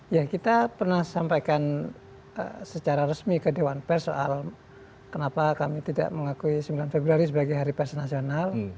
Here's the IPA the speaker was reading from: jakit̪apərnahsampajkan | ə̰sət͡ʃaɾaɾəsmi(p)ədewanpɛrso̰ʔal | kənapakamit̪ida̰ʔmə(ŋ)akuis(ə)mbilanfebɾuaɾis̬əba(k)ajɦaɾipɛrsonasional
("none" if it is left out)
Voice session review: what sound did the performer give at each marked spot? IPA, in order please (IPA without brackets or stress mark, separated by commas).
k, ŋ, ə, ɡ